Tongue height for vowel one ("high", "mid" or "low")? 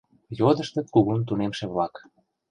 mid